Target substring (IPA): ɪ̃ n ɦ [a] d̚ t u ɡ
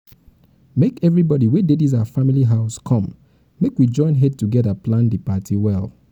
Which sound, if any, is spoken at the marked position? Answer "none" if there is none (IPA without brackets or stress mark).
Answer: ɛ